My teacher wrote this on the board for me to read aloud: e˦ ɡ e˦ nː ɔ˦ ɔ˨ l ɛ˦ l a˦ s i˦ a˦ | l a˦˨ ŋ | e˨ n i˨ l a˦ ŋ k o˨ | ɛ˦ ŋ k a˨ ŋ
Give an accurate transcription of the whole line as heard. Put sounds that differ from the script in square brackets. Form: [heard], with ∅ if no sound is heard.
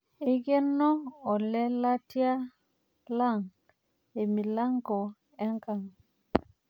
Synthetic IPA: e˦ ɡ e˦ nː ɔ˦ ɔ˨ l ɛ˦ l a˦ [t] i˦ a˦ | l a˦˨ ŋ | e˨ [m] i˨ l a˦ ŋ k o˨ | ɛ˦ ŋ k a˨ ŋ